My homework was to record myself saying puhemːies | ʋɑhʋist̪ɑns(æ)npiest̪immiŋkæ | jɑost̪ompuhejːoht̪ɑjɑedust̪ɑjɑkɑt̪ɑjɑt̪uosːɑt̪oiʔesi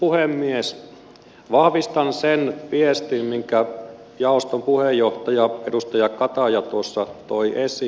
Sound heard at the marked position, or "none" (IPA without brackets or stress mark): e